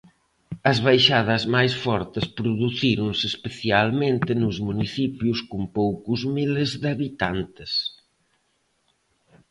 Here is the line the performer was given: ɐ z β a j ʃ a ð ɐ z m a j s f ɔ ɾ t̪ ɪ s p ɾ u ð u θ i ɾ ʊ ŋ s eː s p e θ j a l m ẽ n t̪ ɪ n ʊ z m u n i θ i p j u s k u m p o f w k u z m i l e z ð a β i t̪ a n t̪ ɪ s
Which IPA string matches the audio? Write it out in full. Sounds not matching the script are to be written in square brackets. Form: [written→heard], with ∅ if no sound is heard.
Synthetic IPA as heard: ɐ z β a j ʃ a ð ɐ z m a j s f ɔ ɾ t̪ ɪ s p ɾ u ð u θ i ɾ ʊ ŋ s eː s p e θ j a l m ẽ n t̪ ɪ n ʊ z m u n i θ i p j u s k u m p o [f→∅] w k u z m i l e z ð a β i t̪ a n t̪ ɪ s